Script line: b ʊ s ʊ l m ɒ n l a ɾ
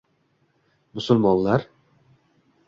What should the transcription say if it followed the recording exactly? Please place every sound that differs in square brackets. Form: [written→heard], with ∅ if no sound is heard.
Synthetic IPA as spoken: [b→m] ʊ s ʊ l m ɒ n l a ɾ